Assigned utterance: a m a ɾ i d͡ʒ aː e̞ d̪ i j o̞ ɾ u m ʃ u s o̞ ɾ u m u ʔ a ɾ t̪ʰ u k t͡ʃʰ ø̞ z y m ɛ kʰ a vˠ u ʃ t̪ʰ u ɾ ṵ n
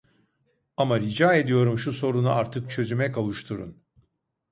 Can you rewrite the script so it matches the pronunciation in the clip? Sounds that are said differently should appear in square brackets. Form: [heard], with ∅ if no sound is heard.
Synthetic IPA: a m a ɾ i d͡ʒ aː e̞ d̪ i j o̞ ɾ u m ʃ u s o̞ ɾ u [n] u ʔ a ɾ t̪ʰ [ɯ] k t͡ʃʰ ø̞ z y m ɛ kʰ a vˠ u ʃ t̪ʰ u ɾ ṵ n